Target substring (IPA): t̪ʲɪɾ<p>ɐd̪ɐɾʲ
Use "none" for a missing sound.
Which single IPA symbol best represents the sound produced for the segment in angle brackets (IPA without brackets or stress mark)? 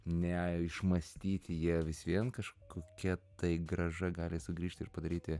p